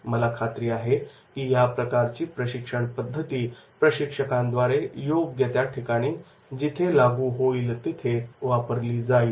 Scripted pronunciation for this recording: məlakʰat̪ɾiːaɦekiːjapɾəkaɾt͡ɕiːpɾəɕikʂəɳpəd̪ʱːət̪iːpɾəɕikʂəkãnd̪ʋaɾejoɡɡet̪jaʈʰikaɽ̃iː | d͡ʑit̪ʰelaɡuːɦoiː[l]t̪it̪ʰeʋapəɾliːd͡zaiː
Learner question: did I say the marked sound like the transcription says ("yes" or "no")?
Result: yes